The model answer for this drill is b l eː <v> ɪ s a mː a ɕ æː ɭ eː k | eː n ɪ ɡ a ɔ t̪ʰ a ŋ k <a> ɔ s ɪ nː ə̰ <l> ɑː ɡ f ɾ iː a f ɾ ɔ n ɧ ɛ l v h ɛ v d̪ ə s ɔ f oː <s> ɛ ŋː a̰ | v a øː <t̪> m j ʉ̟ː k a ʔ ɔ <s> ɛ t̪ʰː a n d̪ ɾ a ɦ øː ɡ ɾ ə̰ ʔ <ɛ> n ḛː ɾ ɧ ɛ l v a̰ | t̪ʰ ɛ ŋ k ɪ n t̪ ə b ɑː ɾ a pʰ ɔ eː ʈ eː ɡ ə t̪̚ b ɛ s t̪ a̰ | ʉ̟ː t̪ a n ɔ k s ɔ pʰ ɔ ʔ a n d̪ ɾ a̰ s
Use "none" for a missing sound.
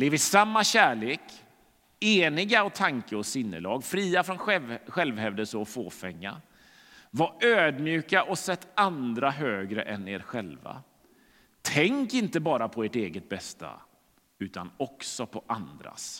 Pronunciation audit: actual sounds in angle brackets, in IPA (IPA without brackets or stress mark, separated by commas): v, ə, l, f, d̪, s, ɛ